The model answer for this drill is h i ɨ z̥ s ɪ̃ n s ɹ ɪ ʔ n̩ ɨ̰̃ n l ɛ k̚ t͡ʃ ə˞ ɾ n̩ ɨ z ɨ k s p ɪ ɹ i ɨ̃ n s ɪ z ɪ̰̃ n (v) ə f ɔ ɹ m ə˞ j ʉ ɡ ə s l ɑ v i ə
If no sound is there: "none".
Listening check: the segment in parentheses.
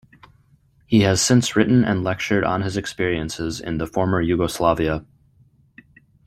ð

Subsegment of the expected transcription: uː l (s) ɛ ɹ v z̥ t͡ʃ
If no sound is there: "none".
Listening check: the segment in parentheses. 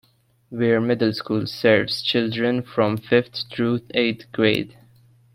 s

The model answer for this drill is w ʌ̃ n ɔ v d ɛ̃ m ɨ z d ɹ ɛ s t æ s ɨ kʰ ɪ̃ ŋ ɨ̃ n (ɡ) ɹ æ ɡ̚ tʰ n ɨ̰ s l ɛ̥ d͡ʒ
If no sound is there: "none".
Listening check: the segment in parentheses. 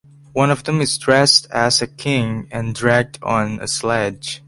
d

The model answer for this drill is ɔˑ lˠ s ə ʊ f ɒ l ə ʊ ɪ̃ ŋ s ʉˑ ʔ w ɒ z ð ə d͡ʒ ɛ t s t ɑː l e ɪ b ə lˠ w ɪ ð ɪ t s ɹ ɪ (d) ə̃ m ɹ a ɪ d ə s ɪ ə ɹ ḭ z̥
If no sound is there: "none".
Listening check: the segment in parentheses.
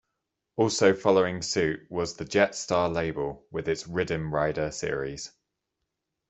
d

